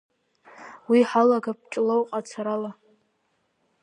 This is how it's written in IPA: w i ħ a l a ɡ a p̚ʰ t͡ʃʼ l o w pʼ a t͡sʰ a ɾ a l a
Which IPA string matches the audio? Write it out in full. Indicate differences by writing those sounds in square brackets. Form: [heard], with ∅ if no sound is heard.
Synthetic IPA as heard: w i ħ a l a ɡ a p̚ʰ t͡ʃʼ l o w [qʼ] a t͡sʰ a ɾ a l a